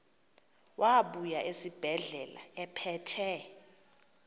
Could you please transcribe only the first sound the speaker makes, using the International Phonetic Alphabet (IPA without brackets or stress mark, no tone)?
w